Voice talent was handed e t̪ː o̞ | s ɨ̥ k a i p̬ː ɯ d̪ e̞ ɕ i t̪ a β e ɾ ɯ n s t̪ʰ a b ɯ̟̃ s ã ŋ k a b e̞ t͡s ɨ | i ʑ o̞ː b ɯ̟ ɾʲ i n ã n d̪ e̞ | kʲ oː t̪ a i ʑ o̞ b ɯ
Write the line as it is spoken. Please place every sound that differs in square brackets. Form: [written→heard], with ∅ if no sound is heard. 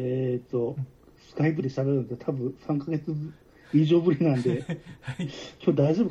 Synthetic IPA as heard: e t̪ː o̞ | s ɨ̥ k a i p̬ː ɯ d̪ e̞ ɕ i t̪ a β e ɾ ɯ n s t̪ʰ a b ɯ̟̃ s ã ŋ k a [b→ɡ] e̞ t͡s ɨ | i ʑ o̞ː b ɯ̟ ɾʲ i n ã n d̪ e̞ | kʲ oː [t̪→d̪] a i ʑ o̞ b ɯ